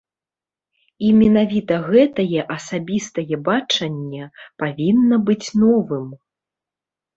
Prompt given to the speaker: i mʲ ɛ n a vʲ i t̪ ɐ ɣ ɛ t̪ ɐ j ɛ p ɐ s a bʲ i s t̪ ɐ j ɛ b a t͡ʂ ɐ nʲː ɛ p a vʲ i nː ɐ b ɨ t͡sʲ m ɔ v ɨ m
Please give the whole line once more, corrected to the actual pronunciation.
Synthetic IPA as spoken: i mʲ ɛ n a vʲ i t̪ ɐ ɣ ɛ t̪ ɐ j ɛ ʔ ɐ s a bʲ i s t̪ ɐ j ɛ b a t͡ʂ ɐ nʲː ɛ p a vʲ i nː ɐ b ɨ t͡sʲ n ɔ v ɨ m